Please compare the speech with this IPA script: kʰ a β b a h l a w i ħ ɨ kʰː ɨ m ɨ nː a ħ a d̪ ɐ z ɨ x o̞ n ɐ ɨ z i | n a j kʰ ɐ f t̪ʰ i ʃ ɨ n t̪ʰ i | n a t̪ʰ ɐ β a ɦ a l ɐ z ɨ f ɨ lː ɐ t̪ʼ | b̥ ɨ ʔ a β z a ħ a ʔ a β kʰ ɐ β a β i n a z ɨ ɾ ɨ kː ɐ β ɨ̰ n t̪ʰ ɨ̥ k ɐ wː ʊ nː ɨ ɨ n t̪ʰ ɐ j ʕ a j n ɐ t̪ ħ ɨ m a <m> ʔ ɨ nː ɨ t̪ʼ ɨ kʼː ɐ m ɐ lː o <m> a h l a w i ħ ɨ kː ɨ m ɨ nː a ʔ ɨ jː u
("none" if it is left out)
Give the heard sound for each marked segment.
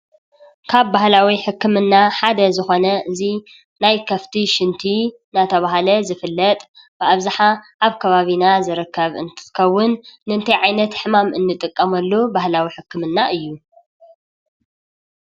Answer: m, b

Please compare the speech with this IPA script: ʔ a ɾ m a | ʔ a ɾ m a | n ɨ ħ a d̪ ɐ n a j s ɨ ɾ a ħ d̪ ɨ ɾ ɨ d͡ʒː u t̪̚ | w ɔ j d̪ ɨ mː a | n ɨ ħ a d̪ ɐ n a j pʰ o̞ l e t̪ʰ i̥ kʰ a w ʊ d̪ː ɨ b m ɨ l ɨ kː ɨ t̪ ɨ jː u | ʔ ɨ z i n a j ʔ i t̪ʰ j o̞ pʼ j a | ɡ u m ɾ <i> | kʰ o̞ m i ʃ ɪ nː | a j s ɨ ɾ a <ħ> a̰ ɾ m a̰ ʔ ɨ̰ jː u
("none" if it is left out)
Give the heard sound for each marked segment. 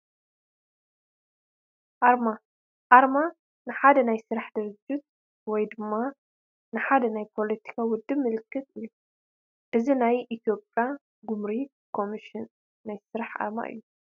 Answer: i, ħ

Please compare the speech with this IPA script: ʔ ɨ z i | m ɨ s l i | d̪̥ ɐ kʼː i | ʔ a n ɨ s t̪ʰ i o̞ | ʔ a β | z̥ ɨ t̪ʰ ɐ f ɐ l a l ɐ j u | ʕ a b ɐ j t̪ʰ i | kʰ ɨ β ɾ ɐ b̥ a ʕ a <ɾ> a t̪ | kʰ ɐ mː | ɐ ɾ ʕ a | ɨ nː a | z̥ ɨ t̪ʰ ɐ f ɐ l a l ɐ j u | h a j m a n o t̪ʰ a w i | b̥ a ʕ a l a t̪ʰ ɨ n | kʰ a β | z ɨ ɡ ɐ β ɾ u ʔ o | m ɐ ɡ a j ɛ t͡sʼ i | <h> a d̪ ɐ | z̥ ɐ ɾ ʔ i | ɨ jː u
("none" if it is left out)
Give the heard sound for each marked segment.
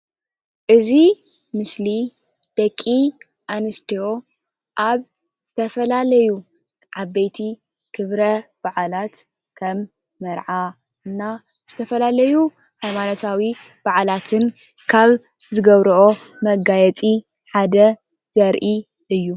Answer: l, ħ

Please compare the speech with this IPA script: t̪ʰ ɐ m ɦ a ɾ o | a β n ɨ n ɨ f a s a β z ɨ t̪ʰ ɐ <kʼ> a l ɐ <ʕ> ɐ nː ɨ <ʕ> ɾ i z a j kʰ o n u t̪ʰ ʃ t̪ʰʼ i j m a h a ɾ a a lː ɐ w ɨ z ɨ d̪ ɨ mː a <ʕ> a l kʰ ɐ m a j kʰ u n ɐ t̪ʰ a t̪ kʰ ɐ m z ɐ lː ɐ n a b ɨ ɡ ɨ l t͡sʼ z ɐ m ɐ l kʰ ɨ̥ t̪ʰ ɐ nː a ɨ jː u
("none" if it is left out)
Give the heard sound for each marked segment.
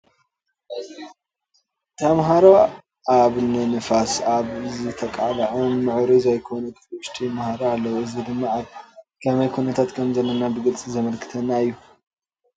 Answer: kʼ, ʕ, ʕ, ʕ

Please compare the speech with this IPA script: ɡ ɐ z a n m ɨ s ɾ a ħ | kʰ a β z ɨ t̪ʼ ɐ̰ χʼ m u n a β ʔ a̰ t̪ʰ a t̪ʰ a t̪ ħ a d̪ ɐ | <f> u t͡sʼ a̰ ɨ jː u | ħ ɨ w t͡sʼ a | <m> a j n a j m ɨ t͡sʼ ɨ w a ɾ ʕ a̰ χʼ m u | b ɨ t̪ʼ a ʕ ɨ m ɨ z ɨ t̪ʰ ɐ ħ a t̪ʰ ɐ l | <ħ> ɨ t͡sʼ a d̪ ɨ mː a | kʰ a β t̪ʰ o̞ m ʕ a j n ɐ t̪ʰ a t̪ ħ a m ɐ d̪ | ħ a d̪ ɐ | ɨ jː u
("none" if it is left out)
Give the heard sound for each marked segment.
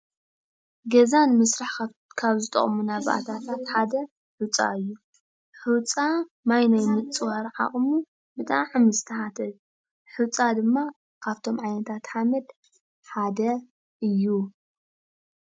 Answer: ħ, m, ħ

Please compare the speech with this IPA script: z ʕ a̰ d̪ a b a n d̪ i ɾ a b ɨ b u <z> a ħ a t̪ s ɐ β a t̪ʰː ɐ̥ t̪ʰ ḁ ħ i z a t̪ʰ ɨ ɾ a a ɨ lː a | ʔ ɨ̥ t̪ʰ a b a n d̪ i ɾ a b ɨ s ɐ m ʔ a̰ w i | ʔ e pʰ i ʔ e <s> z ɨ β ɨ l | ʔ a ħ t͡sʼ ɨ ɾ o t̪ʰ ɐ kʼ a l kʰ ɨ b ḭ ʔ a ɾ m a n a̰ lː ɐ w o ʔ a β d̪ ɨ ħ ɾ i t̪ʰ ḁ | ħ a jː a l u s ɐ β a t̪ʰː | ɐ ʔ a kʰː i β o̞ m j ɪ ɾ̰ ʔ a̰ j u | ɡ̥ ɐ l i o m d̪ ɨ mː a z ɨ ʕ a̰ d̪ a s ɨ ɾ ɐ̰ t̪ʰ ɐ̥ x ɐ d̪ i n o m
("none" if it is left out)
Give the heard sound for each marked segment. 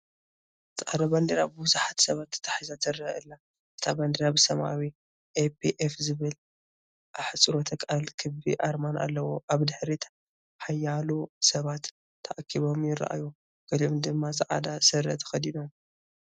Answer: z, f

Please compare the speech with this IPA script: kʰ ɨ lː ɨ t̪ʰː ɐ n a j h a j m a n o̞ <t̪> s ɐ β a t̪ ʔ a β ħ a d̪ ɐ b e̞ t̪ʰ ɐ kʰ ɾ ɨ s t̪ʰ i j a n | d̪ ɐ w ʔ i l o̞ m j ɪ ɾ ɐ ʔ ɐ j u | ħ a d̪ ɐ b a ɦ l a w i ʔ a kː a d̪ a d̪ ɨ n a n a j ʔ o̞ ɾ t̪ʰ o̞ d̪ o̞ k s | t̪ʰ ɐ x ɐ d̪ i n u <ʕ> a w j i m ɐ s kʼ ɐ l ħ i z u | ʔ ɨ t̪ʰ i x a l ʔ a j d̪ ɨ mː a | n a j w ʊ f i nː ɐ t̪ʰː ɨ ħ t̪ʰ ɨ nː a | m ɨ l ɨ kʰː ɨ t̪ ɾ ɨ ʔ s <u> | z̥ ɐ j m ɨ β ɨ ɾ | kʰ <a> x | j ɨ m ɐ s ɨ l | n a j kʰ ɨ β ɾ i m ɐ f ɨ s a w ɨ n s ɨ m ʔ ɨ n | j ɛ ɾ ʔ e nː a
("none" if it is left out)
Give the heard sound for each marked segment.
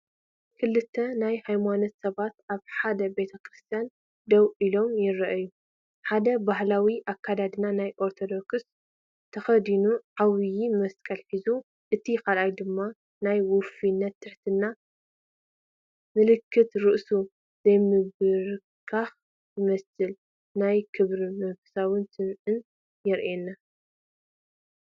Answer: t̪, ʕ, u, a

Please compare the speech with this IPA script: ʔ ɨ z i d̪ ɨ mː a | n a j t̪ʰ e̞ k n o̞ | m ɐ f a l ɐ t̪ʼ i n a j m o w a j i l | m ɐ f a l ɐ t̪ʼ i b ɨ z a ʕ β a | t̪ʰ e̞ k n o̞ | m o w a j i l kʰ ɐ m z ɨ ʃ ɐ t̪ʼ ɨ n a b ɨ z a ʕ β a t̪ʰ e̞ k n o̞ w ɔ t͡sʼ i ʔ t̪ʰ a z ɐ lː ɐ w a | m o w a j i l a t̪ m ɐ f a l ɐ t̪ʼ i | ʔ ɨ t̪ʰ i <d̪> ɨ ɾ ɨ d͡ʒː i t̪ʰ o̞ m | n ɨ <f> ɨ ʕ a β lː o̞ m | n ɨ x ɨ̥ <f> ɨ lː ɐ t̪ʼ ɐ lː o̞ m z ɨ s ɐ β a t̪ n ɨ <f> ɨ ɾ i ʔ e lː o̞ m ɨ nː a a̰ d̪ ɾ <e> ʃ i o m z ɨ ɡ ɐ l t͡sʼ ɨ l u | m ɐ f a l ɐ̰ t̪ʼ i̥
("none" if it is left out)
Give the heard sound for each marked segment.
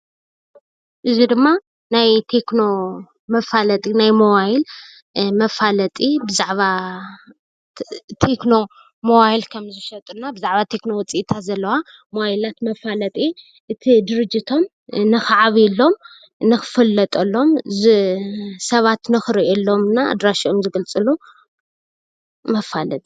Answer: d̪, x, f, x, a

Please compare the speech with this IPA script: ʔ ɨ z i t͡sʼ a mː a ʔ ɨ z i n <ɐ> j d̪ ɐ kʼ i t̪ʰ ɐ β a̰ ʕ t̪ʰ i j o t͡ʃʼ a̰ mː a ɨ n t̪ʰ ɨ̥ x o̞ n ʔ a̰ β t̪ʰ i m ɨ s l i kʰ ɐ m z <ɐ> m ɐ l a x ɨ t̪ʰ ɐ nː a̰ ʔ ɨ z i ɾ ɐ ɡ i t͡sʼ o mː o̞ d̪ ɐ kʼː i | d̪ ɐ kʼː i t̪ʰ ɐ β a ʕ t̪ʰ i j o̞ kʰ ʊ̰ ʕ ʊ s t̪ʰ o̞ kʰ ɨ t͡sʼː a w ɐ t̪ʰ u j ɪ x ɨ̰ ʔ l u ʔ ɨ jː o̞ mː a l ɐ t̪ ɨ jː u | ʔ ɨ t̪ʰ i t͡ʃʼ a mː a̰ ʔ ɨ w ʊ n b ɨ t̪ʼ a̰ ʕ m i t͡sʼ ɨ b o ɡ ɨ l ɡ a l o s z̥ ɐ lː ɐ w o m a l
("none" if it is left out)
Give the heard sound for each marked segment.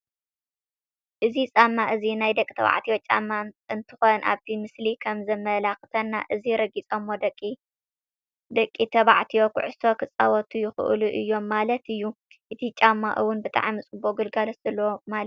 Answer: a, ɐ

